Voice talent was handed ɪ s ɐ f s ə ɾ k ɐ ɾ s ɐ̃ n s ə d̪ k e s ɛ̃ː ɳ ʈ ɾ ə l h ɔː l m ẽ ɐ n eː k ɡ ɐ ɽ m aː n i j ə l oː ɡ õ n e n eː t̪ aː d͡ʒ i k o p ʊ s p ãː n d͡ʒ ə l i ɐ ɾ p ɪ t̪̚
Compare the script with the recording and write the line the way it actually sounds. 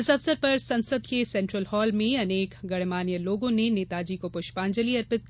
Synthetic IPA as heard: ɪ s ɐ f s ə ɾ p ɐ ɾ s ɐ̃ n s ə d̪ k e s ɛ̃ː ɳ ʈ ɾ ə l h ɔː l m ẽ ɐ n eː k ɡ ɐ ɽ m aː n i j ə l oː ɡ õ n e n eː t̪ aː d͡ʒ i k o p ʊ ʃ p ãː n d͡ʒ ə l i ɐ ɾ p ɪ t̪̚